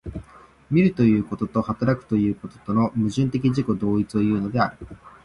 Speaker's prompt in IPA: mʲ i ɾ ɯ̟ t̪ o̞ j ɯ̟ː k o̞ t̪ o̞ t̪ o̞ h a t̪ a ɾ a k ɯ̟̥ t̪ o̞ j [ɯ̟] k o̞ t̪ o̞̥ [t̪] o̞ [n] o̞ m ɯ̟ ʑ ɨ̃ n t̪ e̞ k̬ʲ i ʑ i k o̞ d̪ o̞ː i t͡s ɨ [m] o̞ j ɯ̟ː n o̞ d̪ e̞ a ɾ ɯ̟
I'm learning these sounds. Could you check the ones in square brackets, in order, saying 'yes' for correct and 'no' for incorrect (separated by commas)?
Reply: no, yes, yes, no